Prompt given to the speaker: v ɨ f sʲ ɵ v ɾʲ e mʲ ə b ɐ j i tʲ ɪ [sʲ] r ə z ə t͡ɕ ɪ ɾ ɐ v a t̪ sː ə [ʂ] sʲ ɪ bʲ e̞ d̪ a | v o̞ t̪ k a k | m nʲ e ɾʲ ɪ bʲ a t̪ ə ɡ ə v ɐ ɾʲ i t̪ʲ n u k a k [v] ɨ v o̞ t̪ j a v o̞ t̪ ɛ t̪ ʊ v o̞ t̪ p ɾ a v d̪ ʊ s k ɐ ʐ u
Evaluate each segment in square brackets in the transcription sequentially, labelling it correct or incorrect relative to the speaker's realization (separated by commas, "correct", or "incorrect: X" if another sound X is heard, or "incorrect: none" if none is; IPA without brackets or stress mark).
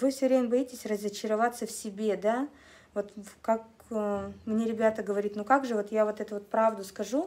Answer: correct, incorrect: f, incorrect: ʐ